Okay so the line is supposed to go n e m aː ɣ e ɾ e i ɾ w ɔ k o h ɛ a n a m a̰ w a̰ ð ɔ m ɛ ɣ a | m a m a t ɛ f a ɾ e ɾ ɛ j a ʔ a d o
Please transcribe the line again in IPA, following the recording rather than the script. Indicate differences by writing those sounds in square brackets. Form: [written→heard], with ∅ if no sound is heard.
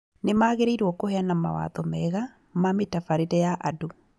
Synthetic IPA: n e m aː ɣ e ɾ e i ɾ w ɔ k o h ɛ a n a m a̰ w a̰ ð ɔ m ɛ ɣ a | m a m [a→e] t [ɛ→a] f a ɾ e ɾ ɛ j a ʔ a d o